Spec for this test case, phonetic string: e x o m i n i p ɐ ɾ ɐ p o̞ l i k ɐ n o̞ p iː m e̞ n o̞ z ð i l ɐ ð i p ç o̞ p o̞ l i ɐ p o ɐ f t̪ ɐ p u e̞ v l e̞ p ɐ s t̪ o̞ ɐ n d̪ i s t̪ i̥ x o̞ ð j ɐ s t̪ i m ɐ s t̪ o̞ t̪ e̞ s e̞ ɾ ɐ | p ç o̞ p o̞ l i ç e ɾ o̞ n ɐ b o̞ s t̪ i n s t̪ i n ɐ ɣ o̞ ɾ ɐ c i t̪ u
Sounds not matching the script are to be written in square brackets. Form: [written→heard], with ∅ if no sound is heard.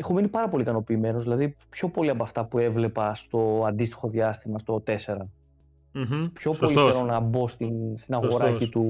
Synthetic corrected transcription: e x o m i n i p ɐ ɾ ɐ p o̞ l i k ɐ n o̞ p iː m e̞ n o̞ z ð i l ɐ ð i p ç o̞ p o̞ l i ɐ p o ɐ f t̪ ɐ p u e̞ v l e̞ p ɐ s t̪ o̞ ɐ n d̪ i s t̪ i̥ x o̞ ð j ɐ s t̪ i m ɐ s t̪ o̞ t̪ e̞ s e̞ ɾ ɐ | p ç o̞ p o̞ l i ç e ɾ o̞ n ɐ b o̞ s t̪ i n s t̪ i n ɐ ɣ o̞ ɾ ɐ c i t̪ u